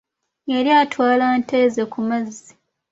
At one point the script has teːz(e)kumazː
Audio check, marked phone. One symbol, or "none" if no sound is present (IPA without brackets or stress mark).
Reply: e